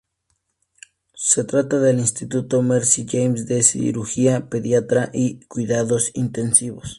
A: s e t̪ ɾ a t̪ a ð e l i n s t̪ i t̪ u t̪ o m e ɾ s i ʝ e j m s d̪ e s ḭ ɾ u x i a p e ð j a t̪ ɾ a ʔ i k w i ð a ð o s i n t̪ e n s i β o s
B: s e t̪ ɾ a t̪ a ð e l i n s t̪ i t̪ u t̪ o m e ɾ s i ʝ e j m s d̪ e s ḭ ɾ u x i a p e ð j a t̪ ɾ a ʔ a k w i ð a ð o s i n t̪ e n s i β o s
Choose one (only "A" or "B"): A